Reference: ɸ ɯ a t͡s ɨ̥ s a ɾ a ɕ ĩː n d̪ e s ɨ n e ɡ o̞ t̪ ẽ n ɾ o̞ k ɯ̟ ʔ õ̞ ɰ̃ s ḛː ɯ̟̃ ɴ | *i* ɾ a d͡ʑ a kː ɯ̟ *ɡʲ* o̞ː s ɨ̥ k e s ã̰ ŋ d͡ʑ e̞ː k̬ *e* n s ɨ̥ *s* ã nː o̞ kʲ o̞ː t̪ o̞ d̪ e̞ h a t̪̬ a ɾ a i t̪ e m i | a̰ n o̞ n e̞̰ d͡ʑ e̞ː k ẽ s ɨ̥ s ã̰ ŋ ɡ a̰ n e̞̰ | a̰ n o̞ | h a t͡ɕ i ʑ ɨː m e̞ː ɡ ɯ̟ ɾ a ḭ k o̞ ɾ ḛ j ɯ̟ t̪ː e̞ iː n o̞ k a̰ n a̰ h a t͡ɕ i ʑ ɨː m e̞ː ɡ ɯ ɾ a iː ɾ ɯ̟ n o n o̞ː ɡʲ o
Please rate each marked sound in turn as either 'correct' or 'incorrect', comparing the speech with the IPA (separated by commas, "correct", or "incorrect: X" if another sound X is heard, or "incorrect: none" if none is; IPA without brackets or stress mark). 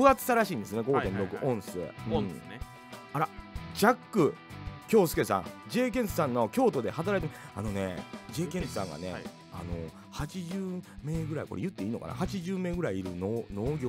incorrect: a, incorrect: kʲ, incorrect: ẽ, correct